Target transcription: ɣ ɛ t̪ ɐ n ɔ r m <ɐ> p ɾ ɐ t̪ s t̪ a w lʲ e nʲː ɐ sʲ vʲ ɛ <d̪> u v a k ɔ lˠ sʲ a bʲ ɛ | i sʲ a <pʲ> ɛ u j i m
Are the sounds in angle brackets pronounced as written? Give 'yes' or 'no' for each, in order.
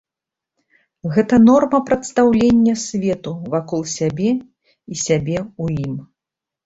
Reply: yes, no, no

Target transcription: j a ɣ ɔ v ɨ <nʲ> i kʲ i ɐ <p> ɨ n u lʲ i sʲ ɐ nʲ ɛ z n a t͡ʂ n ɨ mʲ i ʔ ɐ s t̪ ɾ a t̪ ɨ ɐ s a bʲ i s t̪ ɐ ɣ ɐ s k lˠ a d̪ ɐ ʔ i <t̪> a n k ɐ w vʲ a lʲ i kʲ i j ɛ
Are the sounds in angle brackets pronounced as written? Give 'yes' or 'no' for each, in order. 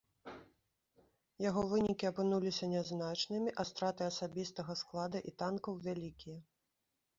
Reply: yes, yes, yes

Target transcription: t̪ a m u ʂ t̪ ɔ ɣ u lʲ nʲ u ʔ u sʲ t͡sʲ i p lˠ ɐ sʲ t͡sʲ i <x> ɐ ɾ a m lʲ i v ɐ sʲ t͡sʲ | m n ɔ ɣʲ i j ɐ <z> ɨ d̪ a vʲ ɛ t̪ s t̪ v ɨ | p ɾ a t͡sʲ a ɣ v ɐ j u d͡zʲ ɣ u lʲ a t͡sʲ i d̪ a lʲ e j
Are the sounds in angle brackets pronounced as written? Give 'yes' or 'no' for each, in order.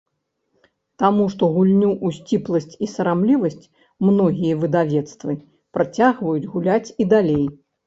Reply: no, no

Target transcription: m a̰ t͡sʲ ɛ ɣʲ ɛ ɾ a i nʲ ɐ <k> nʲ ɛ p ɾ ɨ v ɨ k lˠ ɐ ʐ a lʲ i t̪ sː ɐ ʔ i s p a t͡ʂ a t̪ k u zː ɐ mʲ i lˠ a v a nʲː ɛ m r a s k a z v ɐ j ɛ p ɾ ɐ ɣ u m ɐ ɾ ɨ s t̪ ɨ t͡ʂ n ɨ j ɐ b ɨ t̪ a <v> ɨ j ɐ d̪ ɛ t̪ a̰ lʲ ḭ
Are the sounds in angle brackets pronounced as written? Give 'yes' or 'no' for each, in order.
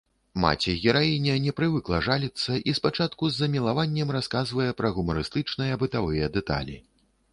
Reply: no, yes

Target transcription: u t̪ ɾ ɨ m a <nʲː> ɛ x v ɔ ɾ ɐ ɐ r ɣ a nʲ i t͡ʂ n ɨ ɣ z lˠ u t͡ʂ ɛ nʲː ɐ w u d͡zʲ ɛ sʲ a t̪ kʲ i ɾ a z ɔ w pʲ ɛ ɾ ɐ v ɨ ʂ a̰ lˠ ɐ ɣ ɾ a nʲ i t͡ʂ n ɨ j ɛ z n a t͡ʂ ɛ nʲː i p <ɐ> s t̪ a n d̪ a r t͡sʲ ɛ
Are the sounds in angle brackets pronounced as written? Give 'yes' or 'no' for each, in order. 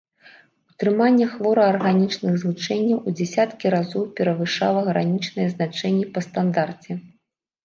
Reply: yes, yes

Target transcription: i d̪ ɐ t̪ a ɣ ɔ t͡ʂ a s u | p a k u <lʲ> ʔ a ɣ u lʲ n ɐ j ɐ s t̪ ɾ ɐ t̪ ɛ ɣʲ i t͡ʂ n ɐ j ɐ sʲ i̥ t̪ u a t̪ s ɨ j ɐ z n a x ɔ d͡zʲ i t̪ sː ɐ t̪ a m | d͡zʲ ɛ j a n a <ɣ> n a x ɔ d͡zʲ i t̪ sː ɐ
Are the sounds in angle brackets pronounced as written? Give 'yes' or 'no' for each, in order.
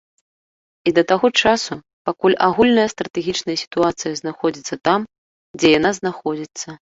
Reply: yes, no

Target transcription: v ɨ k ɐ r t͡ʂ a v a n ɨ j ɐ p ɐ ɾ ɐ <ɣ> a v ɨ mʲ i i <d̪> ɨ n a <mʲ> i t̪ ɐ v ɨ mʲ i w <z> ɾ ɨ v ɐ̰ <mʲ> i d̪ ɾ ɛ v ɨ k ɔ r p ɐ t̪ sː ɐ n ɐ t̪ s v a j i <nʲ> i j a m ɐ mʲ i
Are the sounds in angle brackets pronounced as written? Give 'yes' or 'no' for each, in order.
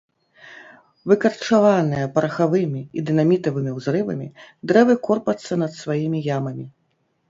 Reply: no, yes, yes, yes, yes, no

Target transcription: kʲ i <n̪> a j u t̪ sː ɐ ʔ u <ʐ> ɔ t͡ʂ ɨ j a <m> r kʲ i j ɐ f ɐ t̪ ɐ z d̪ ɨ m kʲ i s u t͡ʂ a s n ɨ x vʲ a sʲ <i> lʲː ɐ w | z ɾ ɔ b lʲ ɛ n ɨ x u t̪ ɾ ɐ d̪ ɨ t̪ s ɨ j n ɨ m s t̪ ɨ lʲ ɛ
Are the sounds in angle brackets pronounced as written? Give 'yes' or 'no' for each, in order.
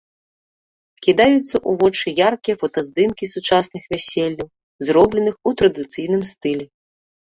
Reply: no, no, no, no

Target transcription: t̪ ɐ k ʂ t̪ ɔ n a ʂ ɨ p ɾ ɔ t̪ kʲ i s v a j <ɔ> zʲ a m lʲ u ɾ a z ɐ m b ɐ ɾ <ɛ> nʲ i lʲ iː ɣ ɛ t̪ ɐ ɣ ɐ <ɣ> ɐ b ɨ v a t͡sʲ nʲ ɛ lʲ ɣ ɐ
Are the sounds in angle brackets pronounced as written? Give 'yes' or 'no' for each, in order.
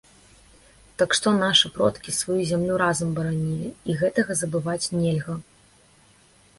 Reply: no, no, no

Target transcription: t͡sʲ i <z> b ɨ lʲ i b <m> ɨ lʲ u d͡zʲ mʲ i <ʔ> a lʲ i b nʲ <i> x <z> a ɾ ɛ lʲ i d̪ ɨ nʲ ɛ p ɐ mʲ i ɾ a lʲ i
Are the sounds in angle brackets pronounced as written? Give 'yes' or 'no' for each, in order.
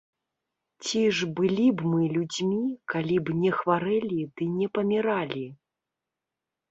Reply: no, yes, no, no, no

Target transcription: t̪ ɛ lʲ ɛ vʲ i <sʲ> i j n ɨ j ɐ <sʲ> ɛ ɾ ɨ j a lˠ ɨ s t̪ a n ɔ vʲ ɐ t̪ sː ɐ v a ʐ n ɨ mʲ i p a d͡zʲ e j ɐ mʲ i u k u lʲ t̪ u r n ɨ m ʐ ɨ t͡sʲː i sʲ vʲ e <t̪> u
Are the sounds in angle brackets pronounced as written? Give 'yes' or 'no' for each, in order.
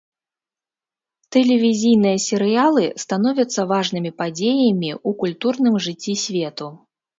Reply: no, yes, yes

